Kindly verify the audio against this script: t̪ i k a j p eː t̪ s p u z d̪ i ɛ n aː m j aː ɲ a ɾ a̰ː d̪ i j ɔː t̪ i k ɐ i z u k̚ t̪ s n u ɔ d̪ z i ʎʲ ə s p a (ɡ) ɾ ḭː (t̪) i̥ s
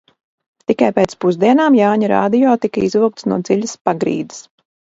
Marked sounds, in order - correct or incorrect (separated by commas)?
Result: correct, incorrect